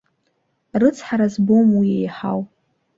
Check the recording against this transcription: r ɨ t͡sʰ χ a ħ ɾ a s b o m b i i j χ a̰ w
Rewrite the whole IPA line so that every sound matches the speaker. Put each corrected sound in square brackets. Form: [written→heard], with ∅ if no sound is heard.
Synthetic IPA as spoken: r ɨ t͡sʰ [χ→ħ] a [ħ→∅] ɾ a [s→z] b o m [b→w] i [i→e] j [χ→ħ] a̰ w